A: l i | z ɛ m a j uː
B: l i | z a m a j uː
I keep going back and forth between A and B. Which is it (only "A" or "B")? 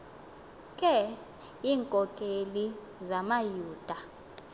B